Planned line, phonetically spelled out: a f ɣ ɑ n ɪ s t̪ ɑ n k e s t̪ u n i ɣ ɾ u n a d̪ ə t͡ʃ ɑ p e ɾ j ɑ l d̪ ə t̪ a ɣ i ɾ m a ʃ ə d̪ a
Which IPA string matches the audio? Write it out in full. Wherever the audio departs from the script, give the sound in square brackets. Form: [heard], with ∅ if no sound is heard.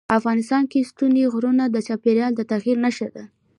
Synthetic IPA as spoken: a f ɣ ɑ n ɪ s t̪ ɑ n k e s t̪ u n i ɣ ɾ u n a d̪ ə t͡ʃ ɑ p e ɾ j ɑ l d̪ ə t̪ a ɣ i ɾ [n] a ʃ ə d̪ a